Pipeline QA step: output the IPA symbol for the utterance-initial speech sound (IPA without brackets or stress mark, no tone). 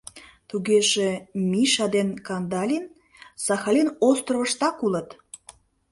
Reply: t̪